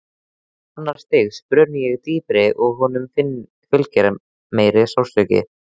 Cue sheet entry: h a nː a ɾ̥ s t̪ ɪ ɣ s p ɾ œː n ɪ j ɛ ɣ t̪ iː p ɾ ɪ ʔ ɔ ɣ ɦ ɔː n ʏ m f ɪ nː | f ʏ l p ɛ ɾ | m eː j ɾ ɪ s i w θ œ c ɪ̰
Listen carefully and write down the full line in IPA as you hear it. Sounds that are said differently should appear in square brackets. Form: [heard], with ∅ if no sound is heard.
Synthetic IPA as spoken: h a nː a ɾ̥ s t̪ ɪ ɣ s p ɾ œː n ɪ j ɛ ɣ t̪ iː p ɾ ɪ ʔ ɔ ɣ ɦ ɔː n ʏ m f ɪ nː | f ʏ l [c] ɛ ɾ | m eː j ɾ ɪ s [a] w [s] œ c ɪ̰